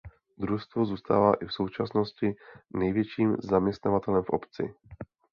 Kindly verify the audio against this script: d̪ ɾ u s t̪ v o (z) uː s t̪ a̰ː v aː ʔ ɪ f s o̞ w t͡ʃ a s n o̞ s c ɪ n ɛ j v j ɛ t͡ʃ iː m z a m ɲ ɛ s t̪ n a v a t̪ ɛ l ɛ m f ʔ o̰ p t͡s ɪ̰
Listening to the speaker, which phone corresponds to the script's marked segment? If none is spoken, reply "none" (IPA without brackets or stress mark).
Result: z